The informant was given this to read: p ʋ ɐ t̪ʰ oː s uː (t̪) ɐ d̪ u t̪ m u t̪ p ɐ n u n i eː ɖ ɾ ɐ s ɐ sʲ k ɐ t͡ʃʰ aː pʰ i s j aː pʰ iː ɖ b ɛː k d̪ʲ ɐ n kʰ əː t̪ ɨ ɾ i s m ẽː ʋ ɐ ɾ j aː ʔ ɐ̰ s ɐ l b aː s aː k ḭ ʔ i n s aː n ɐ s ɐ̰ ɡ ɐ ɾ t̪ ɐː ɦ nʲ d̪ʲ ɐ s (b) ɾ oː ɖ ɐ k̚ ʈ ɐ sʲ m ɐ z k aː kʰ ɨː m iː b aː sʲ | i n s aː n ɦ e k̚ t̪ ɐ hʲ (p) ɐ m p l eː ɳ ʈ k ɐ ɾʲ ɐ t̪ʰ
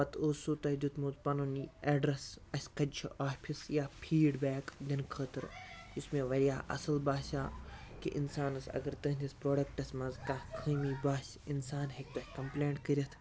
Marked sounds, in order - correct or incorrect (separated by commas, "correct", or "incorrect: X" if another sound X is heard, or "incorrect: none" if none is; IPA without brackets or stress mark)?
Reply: correct, incorrect: p, incorrect: k